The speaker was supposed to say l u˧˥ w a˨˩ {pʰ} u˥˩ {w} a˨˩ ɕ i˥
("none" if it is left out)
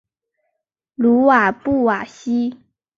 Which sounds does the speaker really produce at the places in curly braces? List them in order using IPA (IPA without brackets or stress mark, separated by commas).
p, w